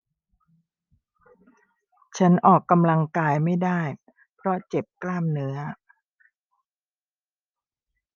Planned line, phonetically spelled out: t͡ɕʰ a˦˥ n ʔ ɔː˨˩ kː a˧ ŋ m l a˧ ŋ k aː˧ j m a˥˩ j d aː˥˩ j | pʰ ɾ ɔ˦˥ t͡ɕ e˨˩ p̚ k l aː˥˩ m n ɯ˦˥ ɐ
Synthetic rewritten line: t͡ɕʰ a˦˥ n ʔ ɔː˨˩ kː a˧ m l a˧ ŋ k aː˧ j m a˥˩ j d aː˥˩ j | pʰ ɾ ɔ˦˥ t͡ɕ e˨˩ p̚ k l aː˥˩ m n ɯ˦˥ ɐ